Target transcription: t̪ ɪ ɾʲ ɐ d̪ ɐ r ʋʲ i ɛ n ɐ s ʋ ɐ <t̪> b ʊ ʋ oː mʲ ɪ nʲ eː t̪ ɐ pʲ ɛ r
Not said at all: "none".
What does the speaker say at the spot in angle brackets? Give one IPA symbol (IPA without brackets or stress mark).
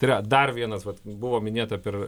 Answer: t̪